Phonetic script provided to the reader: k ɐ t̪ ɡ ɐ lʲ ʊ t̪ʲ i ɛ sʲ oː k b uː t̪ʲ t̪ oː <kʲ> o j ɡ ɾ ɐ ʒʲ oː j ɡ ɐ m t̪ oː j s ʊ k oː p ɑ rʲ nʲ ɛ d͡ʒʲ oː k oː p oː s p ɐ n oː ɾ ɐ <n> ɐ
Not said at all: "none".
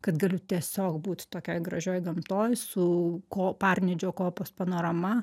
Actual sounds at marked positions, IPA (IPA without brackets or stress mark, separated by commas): kʲ, m